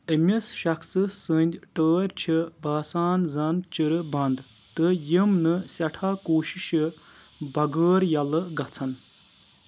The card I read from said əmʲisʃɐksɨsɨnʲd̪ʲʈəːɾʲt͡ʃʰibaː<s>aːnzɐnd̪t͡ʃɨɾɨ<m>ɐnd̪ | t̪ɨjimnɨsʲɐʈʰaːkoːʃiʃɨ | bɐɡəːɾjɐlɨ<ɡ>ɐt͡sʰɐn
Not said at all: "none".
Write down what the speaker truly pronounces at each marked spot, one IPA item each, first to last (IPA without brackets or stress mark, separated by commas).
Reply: s, b, ɡ